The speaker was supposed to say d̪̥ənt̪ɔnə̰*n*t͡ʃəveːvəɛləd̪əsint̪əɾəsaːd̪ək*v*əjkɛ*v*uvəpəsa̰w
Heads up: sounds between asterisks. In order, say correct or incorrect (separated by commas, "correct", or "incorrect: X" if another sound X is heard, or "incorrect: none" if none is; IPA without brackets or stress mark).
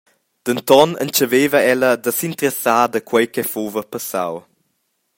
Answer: correct, incorrect: w, incorrect: f